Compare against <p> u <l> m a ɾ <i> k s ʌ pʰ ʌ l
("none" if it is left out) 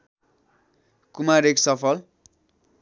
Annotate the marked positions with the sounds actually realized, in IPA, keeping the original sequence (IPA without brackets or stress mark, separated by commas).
k, none, e